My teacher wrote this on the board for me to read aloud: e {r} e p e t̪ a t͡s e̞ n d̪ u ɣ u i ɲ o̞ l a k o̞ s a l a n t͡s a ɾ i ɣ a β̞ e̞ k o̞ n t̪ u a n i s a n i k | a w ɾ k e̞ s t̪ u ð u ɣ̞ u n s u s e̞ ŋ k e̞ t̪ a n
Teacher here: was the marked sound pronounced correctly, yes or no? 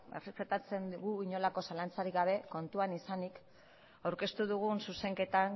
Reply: yes